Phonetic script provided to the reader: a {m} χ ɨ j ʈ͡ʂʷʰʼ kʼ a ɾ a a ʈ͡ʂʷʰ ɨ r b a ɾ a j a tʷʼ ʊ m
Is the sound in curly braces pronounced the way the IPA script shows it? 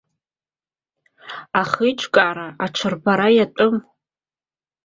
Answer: no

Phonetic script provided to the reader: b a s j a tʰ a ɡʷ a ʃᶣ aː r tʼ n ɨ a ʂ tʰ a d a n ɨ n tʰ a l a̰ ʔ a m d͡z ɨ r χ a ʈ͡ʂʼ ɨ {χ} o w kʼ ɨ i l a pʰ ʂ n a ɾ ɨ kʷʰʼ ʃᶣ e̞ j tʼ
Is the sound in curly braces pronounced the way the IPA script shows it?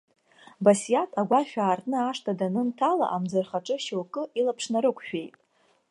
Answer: no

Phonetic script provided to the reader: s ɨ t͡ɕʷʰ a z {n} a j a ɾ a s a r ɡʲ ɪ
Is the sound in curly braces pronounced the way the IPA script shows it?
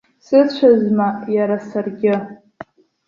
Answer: no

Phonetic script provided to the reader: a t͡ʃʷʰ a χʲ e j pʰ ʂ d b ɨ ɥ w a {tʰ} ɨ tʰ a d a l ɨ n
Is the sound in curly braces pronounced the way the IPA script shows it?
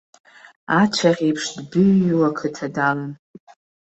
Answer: no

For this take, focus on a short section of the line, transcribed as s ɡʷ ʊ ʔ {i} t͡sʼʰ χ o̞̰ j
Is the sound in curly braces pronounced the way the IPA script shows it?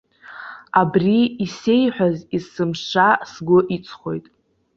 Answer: yes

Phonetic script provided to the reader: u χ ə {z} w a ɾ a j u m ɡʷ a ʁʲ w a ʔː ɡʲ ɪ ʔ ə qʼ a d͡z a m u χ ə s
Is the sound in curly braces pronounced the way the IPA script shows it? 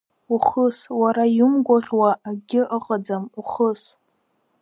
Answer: no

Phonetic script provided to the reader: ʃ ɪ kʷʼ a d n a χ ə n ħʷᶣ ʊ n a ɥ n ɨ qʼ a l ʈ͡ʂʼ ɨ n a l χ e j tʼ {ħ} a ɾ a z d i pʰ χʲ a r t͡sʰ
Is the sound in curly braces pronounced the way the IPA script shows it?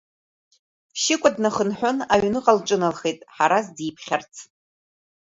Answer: yes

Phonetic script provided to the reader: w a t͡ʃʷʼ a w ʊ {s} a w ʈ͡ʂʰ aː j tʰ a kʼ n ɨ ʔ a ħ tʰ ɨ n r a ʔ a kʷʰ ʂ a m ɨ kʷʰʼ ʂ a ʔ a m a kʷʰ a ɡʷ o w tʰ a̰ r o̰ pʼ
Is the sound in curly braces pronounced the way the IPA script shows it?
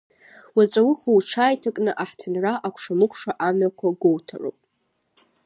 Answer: no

